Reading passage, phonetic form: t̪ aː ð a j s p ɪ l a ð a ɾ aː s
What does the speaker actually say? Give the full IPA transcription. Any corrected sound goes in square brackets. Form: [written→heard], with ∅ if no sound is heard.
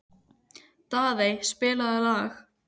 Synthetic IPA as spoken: t̪ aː ð [a→e] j s p [ɪ→ɪː] l a ð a [ɾ→l] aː [s→x]